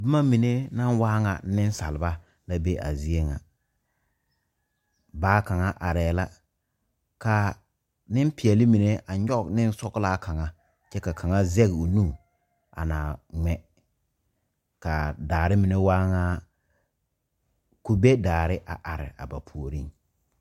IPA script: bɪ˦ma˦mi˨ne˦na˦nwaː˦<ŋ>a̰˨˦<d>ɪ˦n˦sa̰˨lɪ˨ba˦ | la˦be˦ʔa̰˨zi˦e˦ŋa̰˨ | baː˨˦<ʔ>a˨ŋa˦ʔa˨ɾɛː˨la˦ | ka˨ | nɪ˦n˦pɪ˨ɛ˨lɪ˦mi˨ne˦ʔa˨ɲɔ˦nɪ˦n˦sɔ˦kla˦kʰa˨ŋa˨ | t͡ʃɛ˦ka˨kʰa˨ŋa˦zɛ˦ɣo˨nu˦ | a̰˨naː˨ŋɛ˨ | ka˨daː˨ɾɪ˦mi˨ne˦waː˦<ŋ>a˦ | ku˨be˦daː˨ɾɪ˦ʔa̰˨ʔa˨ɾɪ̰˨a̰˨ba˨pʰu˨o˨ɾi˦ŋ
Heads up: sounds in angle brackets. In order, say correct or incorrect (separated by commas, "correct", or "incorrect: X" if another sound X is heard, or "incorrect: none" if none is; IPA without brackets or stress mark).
correct, incorrect: n, incorrect: k, correct